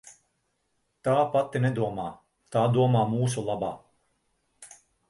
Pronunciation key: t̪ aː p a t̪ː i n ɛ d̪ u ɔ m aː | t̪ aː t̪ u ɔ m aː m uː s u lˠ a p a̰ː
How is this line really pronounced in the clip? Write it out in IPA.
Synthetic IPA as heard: t̪ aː p a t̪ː i n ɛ d̪ u ɔ m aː | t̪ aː d̪ u ɔ m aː m uː s u lˠ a b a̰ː